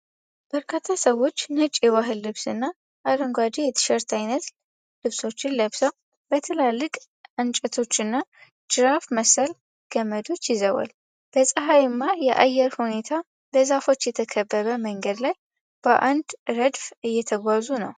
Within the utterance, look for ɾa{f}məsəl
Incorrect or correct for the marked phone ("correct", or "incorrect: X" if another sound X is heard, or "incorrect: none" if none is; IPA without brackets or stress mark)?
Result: correct